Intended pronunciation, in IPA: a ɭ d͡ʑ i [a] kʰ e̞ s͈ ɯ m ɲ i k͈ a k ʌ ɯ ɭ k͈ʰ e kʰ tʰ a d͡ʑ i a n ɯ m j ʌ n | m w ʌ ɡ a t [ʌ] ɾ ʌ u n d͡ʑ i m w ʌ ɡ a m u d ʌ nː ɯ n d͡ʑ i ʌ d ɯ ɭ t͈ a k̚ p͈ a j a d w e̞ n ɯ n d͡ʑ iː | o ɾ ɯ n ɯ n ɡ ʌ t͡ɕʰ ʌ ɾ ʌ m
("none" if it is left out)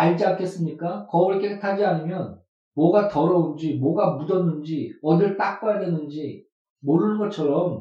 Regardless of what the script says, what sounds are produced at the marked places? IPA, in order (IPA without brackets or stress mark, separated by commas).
a, ʌ